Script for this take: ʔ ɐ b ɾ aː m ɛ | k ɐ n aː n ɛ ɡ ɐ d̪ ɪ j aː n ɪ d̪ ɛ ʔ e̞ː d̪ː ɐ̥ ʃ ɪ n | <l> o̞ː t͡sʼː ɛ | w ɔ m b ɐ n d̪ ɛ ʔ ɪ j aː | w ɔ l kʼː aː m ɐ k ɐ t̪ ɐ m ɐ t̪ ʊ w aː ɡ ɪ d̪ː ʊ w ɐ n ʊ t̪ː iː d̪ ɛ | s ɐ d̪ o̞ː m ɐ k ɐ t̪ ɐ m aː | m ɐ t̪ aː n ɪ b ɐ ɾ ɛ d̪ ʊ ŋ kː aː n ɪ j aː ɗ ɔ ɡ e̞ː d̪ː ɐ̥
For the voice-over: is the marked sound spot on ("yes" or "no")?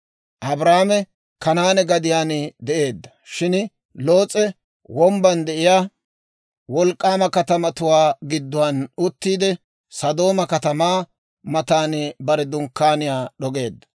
yes